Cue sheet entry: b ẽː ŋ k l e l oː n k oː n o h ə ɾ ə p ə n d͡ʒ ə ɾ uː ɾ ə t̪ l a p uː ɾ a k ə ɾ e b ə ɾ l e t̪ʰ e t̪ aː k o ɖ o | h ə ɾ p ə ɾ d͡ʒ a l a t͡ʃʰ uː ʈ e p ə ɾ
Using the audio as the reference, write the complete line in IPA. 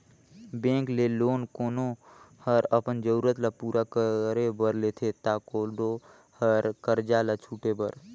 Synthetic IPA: b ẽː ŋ k l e l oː n k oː n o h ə ɾ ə p ə n d͡ʒ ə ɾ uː ɾ ə t̪ l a p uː ɾ a k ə ɾ e b ə ɾ l e t̪ʰ e t̪ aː k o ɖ o | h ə ɾ k ə ɾ d͡ʒ a l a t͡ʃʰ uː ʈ e b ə ɾ